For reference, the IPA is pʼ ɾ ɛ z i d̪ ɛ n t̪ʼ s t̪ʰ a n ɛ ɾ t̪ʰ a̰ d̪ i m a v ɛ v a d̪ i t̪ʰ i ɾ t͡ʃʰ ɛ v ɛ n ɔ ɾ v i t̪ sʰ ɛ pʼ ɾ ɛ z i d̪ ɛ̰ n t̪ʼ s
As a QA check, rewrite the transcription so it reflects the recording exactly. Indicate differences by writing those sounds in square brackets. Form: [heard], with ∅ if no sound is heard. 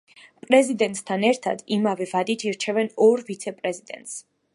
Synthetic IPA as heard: pʼ ɾ ɛ z i d̪ ɛ n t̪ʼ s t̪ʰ a n ɛ ɾ t̪ʰ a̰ d̪ i m a v ɛ v a d̪ i t̪ʰ i ɾ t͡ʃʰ ɛ v ɛ n ɔ ɾ v i t̪ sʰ ɛ pʼ ɾ ɛ z i d̪ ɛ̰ n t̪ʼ s

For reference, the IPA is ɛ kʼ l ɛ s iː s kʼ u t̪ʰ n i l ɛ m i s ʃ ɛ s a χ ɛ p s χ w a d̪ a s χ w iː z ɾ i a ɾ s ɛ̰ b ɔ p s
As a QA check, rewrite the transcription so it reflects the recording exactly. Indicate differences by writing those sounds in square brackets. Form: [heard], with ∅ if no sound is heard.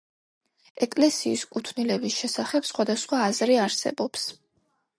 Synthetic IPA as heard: ɛ kʼ l ɛ s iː s kʼ u t̪ʰ n i l ɛ [b] i s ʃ ɛ s a χ ɛ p s χ w a d̪ a s χ w [aː] z ɾ i a ɾ s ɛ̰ b ɔ p s

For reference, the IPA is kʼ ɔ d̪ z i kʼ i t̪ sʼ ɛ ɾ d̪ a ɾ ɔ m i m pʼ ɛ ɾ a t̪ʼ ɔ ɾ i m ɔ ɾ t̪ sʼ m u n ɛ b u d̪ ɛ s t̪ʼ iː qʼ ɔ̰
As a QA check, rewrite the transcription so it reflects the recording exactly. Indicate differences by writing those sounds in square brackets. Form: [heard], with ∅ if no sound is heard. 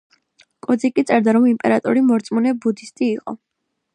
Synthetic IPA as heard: kʼ ɔ d̪ z i kʼ i t̪ sʼ ɛ ɾ d̪ a ɾ ɔ m i m pʼ ɛ ɾ a t̪ʼ ɔ ɾ i m ɔ ɾ t̪ sʼ m u n ɛ b u d̪ [i] s t̪ʼ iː qʼ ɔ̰

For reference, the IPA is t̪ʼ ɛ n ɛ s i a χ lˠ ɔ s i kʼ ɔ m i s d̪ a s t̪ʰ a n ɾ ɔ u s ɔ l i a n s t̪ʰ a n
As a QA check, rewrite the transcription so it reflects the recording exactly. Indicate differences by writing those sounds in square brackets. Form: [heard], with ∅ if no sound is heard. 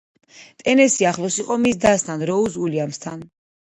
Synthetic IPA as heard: t̪ʼ ɛ n ɛ s i a χ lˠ ɔ s i [qʼ] ɔ m i s d̪ a s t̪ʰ a n ɾ ɔ u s [u] l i a [m] s t̪ʰ a n

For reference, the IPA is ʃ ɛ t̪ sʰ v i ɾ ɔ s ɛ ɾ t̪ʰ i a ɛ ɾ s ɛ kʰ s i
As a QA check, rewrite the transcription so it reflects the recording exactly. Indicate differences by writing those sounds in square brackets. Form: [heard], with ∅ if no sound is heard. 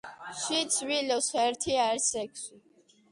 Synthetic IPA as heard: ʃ [i] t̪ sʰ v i [l] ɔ s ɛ ɾ t̪ʰ i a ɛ ɾ s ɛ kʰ s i

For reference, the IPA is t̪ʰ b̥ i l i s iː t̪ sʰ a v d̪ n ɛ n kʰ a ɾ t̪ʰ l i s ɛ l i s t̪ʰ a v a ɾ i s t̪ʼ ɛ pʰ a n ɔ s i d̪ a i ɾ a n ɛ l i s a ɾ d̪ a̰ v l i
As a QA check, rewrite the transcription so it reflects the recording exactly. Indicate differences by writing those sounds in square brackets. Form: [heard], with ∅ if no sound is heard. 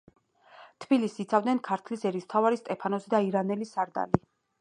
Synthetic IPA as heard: t̪ʰ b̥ i l i s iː t̪ sʰ a v d̪ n ɛ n kʰ a ɾ t̪ʰ l i s ɛ [ɾ] i s t̪ʰ a v a ɾ i s t̪ʼ ɛ pʰ a n ɔ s i d̪ a i ɾ a n ɛ l i s a ɾ d̪ a̰ [∅] l i

